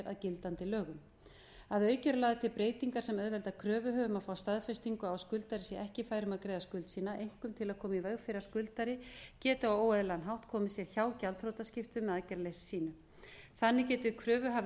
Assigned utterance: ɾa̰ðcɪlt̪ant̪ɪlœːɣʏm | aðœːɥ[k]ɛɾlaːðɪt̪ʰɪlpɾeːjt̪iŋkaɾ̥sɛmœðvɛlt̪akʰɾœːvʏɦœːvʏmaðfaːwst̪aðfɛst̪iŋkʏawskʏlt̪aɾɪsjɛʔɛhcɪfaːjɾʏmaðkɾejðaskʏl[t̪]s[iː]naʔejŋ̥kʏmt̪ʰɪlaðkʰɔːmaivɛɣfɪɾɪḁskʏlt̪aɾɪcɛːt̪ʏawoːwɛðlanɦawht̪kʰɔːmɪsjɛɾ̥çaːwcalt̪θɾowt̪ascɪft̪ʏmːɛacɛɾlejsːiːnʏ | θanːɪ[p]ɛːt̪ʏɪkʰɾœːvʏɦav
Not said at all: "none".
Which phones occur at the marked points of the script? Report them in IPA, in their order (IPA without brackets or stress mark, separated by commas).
c, t̪, iː, c